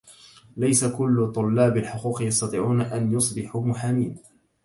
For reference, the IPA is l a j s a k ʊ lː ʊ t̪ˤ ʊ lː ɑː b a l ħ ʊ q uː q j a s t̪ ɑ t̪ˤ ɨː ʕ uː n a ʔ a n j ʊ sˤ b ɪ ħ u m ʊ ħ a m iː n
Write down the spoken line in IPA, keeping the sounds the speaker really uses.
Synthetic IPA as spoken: l a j s a k ʊ lː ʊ t̪ˤ ʊ lː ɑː b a l ħ ʊ q uː q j ɑ s t̪ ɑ t̪ˤ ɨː ʕ uː n a ʔ a n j ʊ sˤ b ɪ ħ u m ʊ ħ a m iː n